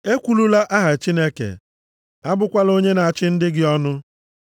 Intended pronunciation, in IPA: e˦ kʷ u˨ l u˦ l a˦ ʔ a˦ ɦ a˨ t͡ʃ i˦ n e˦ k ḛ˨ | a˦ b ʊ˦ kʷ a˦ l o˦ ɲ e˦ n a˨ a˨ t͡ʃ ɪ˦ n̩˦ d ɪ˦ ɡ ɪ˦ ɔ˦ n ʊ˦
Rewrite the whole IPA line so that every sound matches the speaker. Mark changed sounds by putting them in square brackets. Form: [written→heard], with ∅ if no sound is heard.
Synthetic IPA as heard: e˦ kʷ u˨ l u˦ l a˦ ʔ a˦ ɦ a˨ t͡ʃ i˦ n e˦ k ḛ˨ | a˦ b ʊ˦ kʷ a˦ l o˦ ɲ e˦ n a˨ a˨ t͡ʃ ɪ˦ n̩˦ d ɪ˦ ɡ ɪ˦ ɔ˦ n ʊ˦